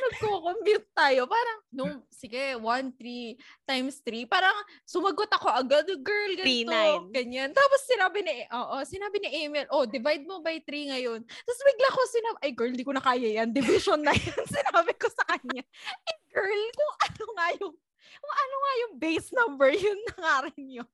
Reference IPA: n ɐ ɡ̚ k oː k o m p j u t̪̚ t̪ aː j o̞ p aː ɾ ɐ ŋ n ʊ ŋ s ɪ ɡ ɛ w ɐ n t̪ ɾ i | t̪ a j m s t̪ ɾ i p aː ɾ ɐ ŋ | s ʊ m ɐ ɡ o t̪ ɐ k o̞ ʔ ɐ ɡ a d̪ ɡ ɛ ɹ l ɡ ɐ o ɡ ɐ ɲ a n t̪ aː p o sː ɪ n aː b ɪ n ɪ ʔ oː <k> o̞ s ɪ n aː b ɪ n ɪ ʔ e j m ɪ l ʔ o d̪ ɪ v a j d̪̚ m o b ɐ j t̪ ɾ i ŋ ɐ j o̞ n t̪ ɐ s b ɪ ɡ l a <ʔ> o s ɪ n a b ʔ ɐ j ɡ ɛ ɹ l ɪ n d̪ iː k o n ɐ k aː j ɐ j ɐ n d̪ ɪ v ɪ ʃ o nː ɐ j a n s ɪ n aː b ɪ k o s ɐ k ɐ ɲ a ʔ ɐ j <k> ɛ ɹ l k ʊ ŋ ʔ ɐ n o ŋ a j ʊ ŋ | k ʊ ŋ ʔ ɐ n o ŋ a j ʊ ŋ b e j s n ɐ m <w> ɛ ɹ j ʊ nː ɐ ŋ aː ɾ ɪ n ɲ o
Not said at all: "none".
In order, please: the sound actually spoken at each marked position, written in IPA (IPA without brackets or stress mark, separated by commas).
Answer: ʔ, k, ɡ, b